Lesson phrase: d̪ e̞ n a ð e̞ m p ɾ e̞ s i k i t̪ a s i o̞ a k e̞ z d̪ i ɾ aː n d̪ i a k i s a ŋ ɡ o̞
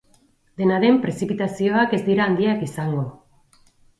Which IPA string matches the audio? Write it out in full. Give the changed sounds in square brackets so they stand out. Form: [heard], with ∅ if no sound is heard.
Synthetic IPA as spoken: d̪ e̞ n a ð e̞ m p ɾ e̞ s i [p] i t̪ a s i o̞ a k e̞ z d̪ i ɾ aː n d̪ i a k i s a ŋ ɡ o̞